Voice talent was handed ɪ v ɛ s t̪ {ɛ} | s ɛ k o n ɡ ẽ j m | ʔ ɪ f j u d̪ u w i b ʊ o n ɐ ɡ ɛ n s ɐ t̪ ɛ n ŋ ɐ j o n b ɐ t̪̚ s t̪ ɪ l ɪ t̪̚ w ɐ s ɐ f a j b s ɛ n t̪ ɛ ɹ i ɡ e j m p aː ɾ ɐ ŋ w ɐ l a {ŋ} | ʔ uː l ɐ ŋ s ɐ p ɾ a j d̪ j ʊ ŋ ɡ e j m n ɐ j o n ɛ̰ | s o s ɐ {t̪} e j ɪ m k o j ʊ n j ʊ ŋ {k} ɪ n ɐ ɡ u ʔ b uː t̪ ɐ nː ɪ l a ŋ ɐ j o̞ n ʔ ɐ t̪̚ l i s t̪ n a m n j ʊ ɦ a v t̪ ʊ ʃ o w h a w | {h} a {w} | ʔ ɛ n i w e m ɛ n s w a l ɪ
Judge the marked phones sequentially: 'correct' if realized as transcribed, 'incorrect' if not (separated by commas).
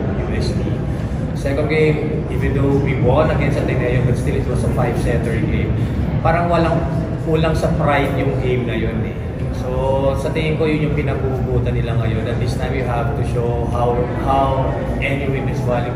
incorrect, correct, correct, incorrect, correct, correct